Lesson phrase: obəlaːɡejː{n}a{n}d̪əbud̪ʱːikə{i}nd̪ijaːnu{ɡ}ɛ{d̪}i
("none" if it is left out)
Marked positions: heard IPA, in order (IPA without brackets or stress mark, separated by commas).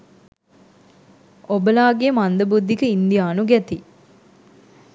m, n, i, ɡ, t̪